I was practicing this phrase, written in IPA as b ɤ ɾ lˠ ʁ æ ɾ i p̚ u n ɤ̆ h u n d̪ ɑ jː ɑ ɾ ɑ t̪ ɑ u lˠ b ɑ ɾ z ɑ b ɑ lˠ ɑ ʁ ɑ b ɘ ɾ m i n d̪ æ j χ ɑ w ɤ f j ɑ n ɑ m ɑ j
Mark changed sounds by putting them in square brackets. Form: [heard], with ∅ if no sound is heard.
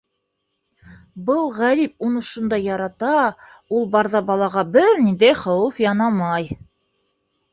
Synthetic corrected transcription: b ɤ [∅] lˠ ʁ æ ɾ i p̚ u n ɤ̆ [ʃ] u n d̪ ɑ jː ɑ ɾ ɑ t̪ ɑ u lˠ b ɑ ɾ z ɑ b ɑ lˠ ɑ ʁ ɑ b ɘ ɾ [n] i n d̪ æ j χ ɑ w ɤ f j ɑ n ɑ m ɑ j